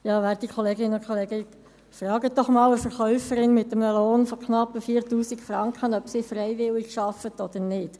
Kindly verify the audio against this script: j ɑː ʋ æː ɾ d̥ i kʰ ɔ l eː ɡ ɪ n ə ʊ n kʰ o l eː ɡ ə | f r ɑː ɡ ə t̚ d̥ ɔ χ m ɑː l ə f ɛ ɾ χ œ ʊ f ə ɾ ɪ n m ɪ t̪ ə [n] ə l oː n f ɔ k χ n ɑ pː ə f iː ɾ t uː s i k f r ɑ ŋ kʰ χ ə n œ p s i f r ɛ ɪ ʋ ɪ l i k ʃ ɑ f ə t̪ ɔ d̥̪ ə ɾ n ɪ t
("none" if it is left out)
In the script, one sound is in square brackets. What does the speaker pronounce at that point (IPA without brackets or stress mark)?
m